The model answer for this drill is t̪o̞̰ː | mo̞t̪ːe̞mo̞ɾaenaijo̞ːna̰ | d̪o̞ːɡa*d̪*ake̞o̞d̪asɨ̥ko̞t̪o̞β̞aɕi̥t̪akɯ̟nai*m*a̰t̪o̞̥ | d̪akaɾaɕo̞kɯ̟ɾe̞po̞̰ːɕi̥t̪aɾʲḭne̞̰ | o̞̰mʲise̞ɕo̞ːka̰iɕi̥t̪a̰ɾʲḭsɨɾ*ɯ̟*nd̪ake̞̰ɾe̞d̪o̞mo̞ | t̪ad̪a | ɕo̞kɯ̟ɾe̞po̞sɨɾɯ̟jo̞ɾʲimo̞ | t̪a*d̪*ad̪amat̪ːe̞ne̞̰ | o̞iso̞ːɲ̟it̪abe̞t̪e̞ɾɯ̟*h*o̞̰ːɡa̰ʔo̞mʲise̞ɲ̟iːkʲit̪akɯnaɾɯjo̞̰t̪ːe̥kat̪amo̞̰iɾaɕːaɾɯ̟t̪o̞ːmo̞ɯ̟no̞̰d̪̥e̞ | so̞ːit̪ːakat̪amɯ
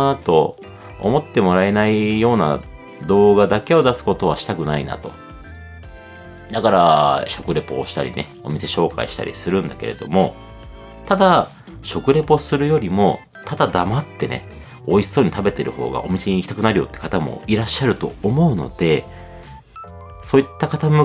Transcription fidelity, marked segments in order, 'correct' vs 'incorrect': correct, incorrect, incorrect, correct, correct

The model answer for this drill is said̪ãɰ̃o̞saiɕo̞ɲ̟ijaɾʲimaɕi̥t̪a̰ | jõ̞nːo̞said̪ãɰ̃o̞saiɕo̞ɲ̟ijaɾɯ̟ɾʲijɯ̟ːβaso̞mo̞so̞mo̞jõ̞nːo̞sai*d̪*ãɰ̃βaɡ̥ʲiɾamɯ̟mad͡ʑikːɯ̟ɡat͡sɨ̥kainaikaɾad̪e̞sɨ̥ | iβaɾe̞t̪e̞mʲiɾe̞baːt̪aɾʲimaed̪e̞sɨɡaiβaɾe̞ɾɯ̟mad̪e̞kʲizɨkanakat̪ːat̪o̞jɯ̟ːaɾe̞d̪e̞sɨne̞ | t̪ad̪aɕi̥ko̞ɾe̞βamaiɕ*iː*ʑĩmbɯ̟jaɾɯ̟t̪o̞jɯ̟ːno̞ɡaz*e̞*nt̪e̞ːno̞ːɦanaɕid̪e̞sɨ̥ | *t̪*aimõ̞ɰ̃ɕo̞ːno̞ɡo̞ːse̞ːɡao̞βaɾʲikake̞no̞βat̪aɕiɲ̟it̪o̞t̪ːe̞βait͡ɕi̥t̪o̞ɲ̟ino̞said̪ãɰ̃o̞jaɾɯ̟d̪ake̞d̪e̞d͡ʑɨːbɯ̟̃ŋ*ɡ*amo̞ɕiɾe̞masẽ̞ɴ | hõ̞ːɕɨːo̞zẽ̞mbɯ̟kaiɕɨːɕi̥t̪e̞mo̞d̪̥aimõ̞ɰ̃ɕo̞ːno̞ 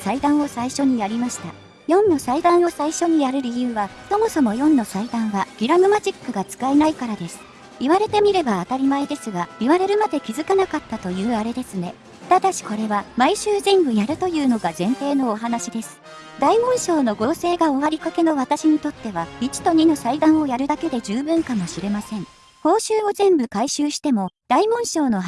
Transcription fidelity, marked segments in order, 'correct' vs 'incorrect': correct, incorrect, incorrect, incorrect, incorrect

